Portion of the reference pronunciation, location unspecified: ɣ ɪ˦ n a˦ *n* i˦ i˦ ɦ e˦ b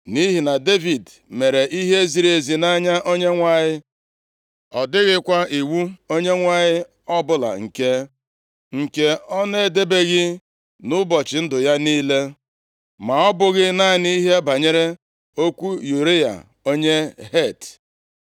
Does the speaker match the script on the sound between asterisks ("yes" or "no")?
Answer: yes